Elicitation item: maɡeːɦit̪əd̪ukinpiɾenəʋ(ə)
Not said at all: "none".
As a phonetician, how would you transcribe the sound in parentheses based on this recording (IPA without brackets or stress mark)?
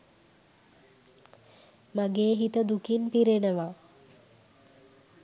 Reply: a